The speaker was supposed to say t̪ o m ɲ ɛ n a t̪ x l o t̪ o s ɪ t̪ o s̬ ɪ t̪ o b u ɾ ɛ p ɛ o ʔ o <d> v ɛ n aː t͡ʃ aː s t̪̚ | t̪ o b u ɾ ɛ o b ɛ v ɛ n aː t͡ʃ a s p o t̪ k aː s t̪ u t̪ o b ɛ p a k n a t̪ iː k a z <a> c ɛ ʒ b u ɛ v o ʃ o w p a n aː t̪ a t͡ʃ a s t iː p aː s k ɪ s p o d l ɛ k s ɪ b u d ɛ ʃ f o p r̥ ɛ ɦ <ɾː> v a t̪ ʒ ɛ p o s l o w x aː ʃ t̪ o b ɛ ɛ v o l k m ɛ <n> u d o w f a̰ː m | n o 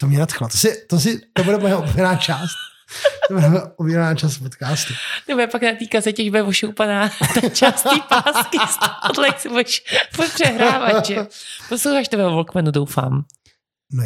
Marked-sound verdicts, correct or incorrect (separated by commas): incorrect, incorrect, correct, correct